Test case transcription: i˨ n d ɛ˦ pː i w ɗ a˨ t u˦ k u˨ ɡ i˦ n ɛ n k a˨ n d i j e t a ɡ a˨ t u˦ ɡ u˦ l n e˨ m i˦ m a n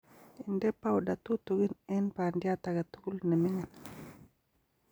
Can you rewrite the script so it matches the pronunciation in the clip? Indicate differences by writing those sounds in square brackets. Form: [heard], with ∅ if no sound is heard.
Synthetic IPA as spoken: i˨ n d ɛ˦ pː [a] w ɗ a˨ t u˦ [t] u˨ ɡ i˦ n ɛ n [p] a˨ n d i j [a] t a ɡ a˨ t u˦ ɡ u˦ l n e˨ m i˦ [ŋ] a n